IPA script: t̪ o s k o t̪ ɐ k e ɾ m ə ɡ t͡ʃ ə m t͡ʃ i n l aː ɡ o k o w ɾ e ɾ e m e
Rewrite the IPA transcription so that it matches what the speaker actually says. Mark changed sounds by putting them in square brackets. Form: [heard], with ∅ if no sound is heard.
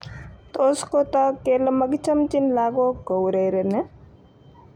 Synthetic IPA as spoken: t̪ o s k o t̪ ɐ k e [l] m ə ɡ t͡ʃ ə m t͡ʃ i n l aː ɡ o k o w ɾ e ɾ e [n] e